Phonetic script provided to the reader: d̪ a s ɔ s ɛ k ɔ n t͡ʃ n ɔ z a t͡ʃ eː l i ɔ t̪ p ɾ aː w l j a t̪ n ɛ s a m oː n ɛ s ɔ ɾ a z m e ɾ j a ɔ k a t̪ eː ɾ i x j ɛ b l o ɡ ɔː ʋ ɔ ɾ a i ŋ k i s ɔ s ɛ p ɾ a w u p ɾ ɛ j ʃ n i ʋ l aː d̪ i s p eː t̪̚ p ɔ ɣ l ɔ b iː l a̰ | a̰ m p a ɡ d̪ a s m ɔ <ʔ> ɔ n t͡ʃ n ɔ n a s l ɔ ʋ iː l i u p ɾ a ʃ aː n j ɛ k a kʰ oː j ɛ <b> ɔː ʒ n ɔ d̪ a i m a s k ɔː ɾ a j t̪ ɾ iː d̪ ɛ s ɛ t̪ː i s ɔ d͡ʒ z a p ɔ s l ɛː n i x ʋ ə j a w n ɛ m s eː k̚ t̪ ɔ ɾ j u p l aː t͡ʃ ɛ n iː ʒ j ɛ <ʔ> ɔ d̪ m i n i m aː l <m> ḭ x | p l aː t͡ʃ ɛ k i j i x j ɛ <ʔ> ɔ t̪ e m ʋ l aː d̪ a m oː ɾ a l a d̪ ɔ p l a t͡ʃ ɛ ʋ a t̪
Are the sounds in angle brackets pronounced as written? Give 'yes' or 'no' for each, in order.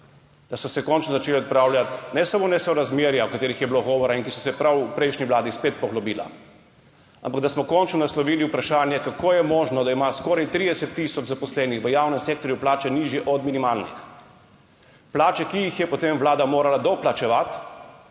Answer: no, no, yes, no, no

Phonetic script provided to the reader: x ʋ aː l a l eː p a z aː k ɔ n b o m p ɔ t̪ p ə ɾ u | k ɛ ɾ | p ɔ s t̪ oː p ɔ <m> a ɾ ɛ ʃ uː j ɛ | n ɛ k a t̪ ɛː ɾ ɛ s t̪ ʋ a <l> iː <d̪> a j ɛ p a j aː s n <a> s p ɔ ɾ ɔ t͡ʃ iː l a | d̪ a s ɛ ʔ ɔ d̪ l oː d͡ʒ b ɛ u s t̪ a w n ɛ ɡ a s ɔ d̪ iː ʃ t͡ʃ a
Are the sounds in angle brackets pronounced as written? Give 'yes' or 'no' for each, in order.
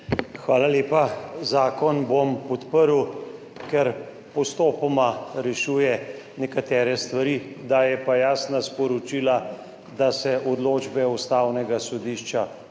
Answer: yes, no, yes, yes

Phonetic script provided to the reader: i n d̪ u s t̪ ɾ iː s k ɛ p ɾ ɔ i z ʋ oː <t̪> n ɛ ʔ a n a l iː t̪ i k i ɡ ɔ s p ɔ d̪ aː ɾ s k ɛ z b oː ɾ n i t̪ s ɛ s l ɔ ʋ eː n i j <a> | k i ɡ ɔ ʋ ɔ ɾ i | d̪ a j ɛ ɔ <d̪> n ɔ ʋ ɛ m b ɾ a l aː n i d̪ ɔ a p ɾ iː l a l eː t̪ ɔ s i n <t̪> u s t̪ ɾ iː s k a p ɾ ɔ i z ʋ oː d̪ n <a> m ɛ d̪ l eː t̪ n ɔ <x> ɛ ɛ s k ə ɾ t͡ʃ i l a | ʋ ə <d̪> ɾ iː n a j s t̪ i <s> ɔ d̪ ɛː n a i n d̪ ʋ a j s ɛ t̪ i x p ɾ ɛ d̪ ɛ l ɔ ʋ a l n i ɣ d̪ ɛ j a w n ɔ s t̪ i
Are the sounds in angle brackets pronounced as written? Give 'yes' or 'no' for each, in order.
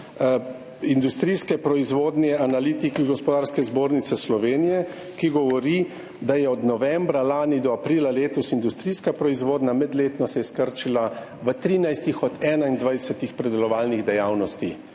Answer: no, no, yes, no, yes, no, no, no

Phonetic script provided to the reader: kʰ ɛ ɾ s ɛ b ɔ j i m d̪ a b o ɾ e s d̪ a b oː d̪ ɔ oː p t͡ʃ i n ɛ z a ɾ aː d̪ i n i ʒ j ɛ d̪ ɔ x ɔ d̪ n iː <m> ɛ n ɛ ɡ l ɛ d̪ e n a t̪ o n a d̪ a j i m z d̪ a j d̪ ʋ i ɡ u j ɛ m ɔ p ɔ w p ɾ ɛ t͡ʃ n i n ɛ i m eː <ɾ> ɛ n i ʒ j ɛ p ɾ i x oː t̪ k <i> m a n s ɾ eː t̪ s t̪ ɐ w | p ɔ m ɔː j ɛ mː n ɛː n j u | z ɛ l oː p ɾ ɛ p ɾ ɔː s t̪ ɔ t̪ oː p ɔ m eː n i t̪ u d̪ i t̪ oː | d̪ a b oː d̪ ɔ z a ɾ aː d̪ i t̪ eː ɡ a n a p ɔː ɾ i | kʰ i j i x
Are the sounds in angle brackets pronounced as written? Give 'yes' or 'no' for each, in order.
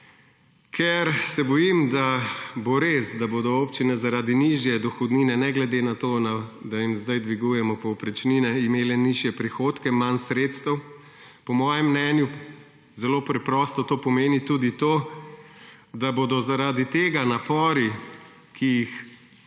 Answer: no, no, no

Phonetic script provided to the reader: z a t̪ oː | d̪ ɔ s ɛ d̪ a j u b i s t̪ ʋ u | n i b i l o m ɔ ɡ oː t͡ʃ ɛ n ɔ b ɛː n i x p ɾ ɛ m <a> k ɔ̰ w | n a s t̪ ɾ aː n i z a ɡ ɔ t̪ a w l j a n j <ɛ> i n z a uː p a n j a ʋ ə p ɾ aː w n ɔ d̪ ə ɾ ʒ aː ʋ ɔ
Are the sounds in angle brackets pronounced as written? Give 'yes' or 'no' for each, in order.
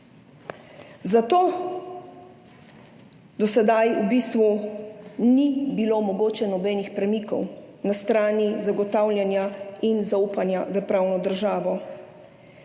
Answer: no, no

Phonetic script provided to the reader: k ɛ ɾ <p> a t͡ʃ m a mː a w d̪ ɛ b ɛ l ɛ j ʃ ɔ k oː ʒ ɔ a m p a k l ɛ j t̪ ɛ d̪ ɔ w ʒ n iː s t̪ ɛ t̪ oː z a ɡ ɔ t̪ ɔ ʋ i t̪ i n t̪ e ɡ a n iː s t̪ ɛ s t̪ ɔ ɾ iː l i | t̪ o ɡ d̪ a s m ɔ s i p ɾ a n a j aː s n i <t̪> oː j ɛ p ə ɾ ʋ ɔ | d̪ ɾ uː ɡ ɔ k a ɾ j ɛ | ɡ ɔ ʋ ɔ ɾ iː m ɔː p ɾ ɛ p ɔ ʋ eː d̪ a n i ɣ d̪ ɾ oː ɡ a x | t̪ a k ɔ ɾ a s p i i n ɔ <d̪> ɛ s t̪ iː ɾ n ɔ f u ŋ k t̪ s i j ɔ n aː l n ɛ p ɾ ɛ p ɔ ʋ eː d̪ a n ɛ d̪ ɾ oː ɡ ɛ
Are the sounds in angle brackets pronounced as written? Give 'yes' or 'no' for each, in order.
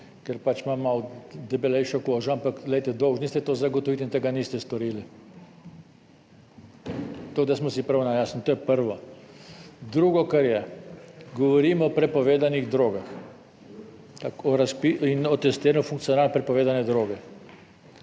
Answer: yes, yes, no

